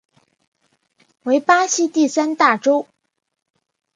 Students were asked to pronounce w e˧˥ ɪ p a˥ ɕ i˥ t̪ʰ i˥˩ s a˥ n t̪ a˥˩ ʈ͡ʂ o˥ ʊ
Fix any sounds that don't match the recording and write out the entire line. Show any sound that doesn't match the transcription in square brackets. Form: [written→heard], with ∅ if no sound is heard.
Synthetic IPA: w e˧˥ ɪ p a˥ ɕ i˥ [t̪ʰ→t̪] i˥˩ s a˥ n t̪ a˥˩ ʈ͡ʂ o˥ ʊ